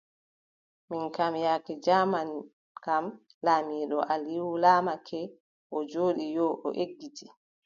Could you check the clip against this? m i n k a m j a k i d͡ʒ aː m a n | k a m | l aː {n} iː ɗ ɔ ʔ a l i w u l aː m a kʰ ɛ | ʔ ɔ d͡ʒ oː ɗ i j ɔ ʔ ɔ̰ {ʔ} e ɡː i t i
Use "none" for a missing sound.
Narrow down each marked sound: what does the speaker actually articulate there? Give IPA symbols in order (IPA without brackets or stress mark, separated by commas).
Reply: m, ʔ